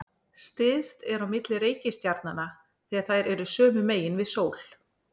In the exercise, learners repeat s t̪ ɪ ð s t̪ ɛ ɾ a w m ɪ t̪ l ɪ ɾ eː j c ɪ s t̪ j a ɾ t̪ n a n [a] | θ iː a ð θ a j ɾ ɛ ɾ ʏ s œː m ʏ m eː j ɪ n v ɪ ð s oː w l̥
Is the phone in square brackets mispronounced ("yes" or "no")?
no